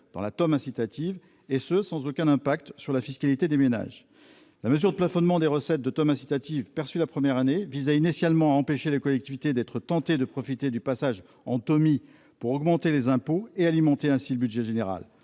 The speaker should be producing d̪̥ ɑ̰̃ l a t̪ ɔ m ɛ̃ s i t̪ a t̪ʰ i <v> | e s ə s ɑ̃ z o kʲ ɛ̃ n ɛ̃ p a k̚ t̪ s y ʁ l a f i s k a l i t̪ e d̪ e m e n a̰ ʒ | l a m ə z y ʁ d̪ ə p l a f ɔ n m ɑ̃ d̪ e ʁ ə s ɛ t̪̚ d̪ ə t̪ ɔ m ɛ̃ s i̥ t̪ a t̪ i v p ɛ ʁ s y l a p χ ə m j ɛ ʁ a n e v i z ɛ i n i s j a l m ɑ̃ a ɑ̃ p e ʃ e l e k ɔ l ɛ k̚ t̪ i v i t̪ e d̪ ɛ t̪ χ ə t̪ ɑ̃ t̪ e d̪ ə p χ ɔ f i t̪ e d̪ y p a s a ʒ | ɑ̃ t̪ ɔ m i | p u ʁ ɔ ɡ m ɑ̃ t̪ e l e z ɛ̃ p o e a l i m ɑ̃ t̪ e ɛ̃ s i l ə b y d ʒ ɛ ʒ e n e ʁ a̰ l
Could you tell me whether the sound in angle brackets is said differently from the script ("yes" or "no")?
no